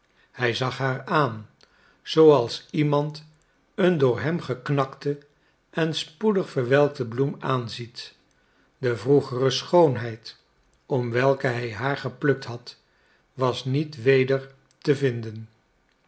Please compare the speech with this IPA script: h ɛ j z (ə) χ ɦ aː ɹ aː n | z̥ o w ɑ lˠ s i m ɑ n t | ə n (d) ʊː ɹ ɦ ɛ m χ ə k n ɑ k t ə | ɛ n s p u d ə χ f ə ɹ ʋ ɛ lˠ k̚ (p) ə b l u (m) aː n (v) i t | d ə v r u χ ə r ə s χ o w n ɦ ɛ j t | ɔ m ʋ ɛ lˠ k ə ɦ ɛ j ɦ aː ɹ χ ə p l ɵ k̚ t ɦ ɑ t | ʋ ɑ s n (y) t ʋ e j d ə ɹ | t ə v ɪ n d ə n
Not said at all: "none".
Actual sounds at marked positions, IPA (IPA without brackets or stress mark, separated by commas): ɑ, d, t, m, z, i